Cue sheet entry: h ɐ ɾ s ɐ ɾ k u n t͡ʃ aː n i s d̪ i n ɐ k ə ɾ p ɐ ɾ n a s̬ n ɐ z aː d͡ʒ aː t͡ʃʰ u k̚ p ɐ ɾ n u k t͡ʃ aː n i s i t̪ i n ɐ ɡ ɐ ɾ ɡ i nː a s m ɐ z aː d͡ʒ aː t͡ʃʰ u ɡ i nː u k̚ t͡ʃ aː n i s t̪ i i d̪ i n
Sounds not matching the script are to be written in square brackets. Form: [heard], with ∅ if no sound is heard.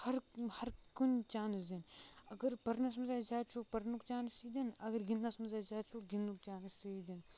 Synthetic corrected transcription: h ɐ ɾ [h] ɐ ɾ k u n t͡ʃ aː n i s d̪ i n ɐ [ɡ] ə ɾ p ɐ ɾ n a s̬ [m] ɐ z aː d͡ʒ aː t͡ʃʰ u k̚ p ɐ ɾ n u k t͡ʃ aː n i s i [d̪] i n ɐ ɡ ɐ ɾ ɡ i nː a s m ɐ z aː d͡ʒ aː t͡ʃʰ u ɡ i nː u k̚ t͡ʃ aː n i s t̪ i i d̪ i n